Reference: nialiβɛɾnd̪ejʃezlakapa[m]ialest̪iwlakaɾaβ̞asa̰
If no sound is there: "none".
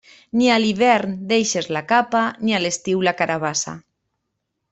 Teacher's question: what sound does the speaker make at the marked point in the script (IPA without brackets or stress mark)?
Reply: n